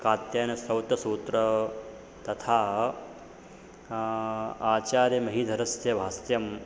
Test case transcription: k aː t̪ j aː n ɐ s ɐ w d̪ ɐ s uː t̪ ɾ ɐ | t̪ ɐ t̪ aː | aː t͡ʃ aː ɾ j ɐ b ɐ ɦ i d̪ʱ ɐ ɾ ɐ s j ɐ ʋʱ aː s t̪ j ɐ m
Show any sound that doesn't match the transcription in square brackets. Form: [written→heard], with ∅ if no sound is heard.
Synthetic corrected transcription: k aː t̪ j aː n ɐ s ɐ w [d̪→t̪] ɐ s uː t̪ ɾ ɐ | t̪ ɐ [t̪→t̪ʰ] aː | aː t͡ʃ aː ɾ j ɐ [b→m] ɐ ɦ i d̪ʱ ɐ ɾ ɐ s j ɐ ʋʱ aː s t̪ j ɐ m